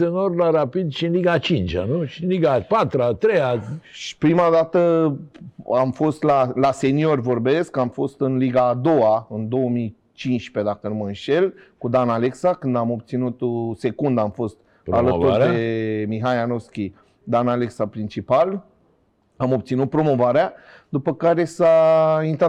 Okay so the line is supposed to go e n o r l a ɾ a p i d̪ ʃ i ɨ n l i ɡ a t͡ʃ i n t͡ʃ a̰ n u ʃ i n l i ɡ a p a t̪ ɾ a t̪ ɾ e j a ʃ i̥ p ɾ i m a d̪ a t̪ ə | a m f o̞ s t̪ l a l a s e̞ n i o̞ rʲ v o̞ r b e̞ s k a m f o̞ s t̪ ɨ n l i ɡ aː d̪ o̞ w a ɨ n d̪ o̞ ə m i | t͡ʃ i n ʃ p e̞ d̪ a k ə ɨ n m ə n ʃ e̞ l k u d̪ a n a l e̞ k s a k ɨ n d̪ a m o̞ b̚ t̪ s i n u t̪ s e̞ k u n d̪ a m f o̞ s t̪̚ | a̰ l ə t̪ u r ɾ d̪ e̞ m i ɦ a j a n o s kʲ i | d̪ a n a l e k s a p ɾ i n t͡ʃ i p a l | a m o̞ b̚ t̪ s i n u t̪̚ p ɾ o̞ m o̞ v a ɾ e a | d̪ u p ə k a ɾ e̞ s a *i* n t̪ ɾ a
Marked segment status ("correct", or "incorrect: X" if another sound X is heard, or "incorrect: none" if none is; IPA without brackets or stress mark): correct